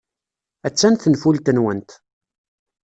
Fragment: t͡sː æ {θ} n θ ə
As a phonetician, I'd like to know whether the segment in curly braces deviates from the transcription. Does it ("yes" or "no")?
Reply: yes